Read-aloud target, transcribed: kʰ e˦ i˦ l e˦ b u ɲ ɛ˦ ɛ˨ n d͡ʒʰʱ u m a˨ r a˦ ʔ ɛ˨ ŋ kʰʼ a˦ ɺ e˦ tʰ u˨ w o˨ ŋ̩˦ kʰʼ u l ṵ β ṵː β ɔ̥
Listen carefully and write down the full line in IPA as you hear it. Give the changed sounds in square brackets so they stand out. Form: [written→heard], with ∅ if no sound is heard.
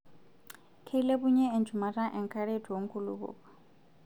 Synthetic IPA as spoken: kʰ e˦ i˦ l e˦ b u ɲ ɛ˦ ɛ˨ n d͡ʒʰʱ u m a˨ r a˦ ʔ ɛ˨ ŋ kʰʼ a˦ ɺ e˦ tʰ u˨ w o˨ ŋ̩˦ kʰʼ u l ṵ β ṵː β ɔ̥